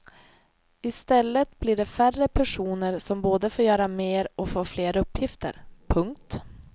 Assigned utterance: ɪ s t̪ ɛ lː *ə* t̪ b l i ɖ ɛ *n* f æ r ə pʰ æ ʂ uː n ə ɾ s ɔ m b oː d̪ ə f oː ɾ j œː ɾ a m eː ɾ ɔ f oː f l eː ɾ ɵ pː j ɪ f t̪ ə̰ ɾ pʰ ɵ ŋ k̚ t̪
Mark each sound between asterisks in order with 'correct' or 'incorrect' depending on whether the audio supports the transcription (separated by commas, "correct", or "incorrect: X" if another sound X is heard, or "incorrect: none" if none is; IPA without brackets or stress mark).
correct, incorrect: none